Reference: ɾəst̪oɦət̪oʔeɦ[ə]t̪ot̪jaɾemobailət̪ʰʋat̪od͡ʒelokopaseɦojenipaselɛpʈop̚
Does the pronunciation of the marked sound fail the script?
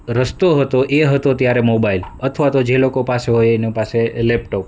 no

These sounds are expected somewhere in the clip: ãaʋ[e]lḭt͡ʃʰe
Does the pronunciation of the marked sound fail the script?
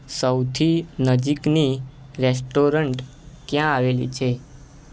no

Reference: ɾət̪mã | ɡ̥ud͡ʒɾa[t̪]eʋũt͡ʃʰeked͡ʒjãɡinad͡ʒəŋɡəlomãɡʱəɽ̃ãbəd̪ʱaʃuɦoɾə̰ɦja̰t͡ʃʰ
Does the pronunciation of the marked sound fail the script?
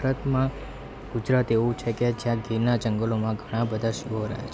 no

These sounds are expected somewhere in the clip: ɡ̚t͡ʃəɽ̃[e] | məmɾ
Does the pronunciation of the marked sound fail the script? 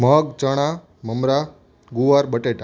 yes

